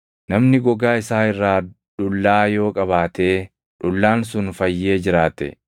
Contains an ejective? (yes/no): yes